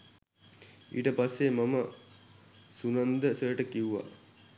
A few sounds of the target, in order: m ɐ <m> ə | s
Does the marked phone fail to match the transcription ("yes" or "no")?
no